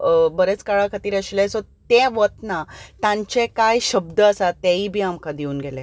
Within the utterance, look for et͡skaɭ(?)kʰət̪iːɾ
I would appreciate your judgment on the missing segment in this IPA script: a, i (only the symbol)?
a